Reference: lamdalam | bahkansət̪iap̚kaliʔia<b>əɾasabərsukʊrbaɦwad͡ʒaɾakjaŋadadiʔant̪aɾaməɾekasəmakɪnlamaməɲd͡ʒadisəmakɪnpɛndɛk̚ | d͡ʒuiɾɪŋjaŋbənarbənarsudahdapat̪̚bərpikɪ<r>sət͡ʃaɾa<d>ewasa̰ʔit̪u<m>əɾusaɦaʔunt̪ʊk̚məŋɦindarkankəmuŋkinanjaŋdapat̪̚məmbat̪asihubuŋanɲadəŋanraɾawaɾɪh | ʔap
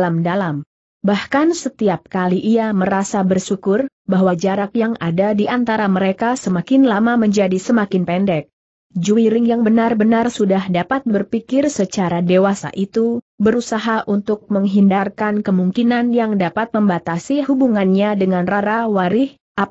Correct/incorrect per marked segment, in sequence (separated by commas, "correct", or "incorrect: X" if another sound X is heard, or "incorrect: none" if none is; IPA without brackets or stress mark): incorrect: m, correct, correct, incorrect: b